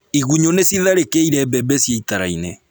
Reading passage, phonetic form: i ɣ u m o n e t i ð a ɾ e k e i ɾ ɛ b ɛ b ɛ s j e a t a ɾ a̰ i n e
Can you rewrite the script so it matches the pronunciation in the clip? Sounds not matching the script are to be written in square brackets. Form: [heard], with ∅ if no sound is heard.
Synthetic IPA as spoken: i ɣ u [ɲ] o n e [s] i ð a ɾ e k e i ɾ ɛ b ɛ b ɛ s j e [i] t a ɾ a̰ i n e